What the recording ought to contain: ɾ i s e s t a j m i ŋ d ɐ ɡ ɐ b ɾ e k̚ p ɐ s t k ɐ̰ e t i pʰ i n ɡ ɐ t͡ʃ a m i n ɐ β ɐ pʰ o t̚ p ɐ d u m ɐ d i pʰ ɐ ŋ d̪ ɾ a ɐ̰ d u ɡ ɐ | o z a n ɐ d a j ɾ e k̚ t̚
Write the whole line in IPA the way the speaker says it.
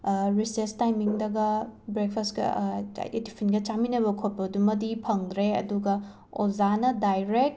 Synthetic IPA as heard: ɾ i s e s t a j m i ŋ d ɐ ɡ ɐ b ɾ e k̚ pʰ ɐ s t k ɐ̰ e t i pʰ i n ɡ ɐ t͡ʃ a m i n ɐ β ɐ kʰ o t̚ p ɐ d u m ɐ d i pʰ ɐ ŋ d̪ ɾ e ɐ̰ d u ɡ ɐ | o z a n ɐ d a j ɾ e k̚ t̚